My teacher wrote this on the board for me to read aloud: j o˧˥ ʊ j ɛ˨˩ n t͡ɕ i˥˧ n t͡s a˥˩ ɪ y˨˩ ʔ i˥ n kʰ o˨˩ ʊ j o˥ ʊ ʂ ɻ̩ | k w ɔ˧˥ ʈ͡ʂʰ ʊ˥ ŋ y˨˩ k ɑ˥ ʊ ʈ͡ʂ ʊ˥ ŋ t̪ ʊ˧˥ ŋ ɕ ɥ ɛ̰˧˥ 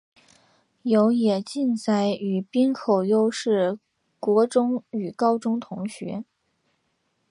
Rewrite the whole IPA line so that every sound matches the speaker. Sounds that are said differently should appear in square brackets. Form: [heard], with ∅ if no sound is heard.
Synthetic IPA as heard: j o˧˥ ʊ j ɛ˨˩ [∅] t͡ɕ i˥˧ n t͡s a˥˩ ɪ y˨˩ [p] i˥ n kʰ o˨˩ ʊ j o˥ ʊ ʂ ɻ̩ | k w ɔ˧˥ [ʈ͡ʂ] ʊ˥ ŋ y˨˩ k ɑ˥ ʊ ʈ͡ʂ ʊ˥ ŋ [t̪ʰ] ʊ˧˥ ŋ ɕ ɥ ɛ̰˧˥